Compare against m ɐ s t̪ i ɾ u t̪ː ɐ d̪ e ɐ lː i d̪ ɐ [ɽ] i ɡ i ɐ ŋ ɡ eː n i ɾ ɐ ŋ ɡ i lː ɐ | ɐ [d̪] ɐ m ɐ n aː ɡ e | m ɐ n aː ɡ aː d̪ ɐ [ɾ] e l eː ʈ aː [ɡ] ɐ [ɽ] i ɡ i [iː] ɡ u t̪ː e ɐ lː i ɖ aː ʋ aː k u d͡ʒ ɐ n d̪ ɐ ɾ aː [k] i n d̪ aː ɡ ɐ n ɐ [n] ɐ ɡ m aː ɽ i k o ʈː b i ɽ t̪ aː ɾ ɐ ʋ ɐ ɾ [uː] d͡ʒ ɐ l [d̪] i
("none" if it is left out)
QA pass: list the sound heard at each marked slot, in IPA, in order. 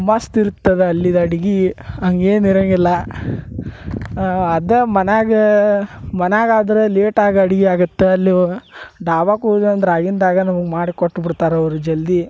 ɽ, d̪, ɾ, ɡ, ɽ, aː, ɡ, m, u, d̪

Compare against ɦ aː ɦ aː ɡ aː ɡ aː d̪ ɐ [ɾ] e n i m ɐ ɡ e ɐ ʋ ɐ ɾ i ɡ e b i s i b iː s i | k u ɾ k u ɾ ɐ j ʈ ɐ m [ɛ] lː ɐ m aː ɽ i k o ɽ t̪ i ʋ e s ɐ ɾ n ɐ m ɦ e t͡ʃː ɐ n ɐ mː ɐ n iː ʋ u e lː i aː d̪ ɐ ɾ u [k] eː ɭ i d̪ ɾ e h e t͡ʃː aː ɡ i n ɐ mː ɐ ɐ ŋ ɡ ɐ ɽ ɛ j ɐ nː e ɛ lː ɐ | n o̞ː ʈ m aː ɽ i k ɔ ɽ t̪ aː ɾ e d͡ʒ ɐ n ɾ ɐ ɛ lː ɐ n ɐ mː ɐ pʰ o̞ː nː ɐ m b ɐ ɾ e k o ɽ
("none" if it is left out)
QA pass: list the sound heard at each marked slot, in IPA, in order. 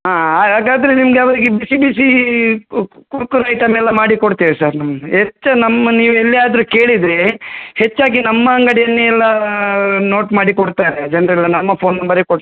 ɾ, ɛ, k

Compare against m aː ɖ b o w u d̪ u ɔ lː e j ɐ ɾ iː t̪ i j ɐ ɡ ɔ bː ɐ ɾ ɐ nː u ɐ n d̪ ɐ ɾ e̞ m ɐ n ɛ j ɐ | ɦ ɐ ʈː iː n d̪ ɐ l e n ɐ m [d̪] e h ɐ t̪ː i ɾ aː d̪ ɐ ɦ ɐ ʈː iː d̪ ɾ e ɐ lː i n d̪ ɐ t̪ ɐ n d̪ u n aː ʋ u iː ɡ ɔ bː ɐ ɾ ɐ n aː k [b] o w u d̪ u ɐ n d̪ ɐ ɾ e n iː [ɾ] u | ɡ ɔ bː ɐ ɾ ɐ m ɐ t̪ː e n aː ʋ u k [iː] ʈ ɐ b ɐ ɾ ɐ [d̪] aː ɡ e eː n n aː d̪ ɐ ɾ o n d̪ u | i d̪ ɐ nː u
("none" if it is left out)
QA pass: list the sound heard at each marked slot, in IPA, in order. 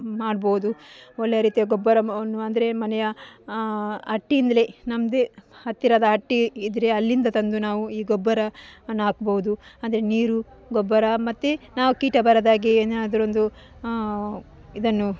d̪, b, ɾ, iː, d̪

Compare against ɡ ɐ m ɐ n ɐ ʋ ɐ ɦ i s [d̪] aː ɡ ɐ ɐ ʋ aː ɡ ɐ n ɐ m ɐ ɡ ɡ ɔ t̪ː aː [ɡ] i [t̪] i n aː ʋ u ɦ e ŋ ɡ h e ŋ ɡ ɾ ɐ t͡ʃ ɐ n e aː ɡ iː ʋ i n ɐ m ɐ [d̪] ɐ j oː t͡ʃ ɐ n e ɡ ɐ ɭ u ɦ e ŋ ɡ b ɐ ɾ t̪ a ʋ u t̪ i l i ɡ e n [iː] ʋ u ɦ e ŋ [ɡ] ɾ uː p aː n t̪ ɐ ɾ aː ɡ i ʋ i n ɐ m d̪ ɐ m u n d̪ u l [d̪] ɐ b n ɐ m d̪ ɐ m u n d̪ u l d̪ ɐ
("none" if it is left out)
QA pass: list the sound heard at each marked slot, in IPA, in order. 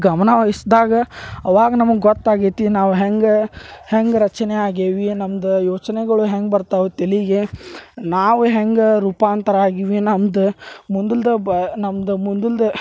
d̪, ɡ, t̪, d̪, aː, ɡ, d̪

